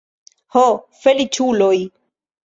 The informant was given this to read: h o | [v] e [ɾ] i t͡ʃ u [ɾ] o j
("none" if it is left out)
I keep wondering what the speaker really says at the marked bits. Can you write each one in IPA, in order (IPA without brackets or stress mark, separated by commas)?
f, l, l